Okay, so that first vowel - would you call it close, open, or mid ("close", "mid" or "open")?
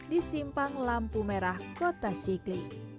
close